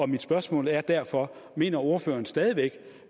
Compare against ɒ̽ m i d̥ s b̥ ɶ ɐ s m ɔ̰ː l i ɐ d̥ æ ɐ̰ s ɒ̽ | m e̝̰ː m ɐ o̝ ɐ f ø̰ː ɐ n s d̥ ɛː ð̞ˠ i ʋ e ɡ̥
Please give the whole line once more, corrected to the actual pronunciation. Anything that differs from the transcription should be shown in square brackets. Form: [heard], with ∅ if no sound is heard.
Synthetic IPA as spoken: ɒ̽ m i d̥ s b̥ ɶ ɐ s m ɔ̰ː l [æ] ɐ d̥ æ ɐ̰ [f] ɒ̽ | m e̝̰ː [n] ɐ o̝ ɐ f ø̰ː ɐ n s d̥ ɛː ð̞ˠ i ʋ e ɡ̥